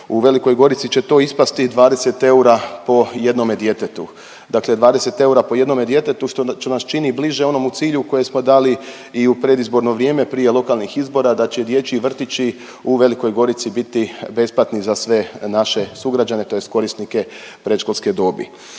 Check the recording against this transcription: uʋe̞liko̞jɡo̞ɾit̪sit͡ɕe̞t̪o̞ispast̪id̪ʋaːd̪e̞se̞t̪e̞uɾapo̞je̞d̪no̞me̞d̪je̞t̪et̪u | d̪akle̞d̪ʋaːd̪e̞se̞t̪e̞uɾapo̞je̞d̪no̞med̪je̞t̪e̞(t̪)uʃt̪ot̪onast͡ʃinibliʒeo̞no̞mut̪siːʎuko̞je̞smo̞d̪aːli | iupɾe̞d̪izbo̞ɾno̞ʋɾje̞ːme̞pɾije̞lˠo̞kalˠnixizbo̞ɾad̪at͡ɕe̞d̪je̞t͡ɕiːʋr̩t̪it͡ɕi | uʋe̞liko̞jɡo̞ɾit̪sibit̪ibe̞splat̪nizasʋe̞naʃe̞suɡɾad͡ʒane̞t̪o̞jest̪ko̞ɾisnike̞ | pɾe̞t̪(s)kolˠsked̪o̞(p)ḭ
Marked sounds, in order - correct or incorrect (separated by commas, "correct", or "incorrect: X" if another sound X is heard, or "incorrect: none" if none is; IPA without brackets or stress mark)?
correct, incorrect: ʃ, incorrect: b